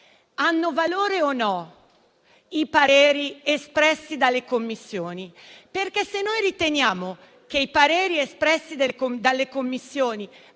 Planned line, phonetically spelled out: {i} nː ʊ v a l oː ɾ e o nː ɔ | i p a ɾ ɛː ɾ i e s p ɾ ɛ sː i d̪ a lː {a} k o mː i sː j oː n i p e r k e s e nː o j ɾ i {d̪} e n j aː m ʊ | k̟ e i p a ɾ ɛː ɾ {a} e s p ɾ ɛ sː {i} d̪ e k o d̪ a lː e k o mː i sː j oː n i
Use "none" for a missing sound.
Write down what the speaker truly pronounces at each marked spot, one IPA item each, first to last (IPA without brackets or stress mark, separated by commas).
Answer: a, e, t̪, i, i